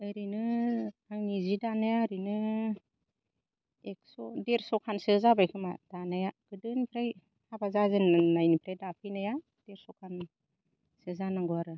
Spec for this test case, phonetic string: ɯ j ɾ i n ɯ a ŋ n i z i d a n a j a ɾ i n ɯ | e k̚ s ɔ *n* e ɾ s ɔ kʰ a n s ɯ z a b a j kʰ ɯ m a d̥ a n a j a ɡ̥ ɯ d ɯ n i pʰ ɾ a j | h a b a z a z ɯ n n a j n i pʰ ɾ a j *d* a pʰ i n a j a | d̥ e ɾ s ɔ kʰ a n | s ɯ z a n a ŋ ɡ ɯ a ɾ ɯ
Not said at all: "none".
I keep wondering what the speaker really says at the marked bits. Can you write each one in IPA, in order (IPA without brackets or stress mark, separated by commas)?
d, d